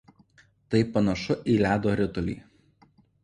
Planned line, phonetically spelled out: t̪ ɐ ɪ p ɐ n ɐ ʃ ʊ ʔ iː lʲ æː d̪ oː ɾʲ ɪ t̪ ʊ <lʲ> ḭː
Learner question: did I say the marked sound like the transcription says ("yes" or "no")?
yes